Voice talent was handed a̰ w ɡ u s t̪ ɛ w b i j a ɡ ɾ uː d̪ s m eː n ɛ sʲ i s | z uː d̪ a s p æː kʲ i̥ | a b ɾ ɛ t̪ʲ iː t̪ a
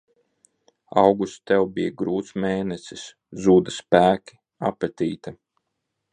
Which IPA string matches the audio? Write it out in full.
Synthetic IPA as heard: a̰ w ɡ u s t̪ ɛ w b i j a ɡ ɾ uː t̪ s m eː n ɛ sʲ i s | z uː d̪ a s p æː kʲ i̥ | a p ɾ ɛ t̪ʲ iː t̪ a